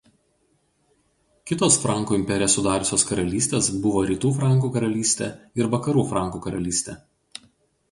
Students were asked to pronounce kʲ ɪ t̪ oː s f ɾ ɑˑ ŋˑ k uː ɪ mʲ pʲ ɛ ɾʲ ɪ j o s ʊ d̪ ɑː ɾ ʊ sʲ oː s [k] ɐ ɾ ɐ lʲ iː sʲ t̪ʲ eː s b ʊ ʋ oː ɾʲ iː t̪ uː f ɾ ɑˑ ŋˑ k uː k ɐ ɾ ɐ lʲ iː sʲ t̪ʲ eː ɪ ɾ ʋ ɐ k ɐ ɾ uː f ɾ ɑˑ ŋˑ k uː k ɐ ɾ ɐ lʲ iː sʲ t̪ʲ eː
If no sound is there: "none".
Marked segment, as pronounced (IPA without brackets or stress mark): k